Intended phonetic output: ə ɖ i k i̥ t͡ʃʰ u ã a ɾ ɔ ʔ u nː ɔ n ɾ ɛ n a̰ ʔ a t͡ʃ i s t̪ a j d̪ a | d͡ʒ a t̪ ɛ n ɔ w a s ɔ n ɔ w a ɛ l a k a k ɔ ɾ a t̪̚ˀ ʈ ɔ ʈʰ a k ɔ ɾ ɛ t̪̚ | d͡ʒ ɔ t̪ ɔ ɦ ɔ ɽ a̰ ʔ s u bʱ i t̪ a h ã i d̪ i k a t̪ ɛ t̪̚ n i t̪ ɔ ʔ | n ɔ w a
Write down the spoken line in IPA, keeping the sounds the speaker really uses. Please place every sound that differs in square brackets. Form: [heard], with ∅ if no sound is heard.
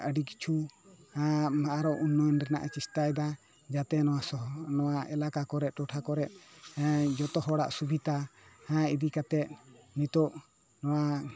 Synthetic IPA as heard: ə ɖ i k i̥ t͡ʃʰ u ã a ɾ ɔ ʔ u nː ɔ n ɾ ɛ n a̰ ʔ a t͡ʃ i s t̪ a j d̪ a | d͡ʒ a t̪ ɛ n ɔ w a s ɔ n ɔ w a ɛ l a k a k ɔ ɾ [ɛ] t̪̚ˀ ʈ ɔ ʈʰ a k ɔ ɾ ɛ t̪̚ | d͡ʒ ɔ t̪ ɔ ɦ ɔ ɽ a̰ ʔ s u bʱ i t̪ a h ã i d̪ i k a t̪ ɛ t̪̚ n i t̪ ɔ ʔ | n ɔ w a